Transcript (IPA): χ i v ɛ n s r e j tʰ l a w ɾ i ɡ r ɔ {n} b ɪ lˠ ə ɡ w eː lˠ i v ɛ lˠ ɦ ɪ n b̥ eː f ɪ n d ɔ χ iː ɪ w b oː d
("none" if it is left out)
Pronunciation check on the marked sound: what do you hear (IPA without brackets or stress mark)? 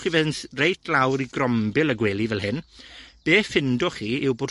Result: m